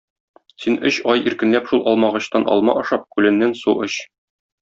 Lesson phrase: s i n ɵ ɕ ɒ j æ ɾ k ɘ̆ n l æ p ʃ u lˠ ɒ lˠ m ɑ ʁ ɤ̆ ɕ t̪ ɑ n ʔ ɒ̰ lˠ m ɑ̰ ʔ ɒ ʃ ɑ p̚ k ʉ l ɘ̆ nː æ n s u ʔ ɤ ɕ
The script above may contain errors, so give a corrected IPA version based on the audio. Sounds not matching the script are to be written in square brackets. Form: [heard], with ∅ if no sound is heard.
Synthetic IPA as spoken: s i n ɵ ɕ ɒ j [i] ɾ k ɘ̆ n l æ p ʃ u lˠ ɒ lˠ m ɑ ʁ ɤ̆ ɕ t̪ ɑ n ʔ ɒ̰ lˠ m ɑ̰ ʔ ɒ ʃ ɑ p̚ k ʉ l ɘ̆ nː æ n s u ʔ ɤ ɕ